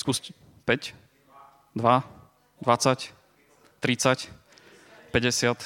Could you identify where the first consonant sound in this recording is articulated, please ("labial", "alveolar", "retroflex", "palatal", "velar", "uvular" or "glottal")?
alveolar